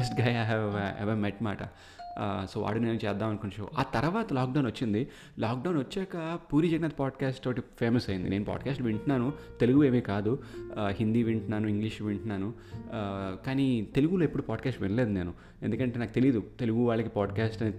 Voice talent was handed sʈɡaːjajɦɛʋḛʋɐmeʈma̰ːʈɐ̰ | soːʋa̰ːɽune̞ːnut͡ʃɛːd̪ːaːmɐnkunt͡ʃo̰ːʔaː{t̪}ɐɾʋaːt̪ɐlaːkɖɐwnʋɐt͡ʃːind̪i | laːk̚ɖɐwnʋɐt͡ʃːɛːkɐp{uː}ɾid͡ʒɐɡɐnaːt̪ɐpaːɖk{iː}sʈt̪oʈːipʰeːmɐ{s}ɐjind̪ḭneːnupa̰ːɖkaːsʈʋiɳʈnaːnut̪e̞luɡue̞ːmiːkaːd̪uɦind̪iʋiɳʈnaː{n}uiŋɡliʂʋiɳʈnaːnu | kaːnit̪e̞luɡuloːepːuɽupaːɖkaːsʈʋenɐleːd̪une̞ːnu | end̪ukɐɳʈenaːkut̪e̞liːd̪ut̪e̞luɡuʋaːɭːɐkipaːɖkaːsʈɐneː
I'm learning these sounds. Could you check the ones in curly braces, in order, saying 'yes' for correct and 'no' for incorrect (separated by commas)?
yes, yes, no, yes, yes